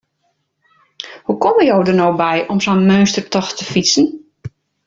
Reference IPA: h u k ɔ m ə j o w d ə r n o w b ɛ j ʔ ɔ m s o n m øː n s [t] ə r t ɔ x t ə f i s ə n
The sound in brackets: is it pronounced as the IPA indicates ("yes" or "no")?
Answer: yes